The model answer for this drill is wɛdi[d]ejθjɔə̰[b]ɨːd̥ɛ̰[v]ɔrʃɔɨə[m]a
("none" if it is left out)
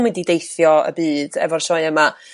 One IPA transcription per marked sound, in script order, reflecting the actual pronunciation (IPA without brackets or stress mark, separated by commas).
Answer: d, b, v, m